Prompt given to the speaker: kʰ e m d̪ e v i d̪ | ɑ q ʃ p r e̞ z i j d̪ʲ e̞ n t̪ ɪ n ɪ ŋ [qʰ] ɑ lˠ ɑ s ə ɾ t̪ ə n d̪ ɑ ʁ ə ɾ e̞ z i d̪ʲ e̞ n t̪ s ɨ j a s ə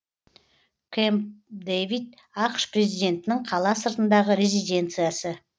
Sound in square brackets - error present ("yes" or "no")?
no